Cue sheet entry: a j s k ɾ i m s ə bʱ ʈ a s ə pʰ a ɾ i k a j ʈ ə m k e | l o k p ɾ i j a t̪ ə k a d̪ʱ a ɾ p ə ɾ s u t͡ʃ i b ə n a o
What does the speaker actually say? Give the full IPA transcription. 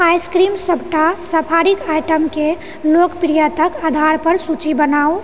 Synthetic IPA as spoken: a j s k ɾ i m s ə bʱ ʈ a s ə pʰ a ɾ i k a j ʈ ə m k e | l o k p ɾ i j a t̪ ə k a d̪ʱ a ɾ p ə ɾ s u t͡ʃ i b ə n a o